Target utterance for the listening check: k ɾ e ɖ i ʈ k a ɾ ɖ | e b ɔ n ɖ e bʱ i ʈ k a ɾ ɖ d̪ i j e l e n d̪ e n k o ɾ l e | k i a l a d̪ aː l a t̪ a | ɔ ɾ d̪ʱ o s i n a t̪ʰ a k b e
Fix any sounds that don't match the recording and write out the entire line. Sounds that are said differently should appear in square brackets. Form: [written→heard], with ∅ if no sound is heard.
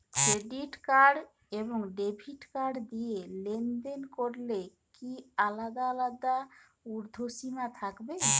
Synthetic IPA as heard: k ɾ e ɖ i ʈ k a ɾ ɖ | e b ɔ [n→ŋ] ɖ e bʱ i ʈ k a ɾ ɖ d̪ i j e l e n d̪ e n k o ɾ l e | k i a l a d̪ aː l a [t̪→d̪] a | [ɔ→u] ɾ d̪ʱ o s i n a t̪ʰ a k b e